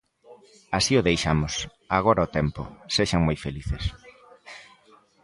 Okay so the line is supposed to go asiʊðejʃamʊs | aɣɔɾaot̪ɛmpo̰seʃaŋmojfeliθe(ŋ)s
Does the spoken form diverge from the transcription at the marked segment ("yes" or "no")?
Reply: yes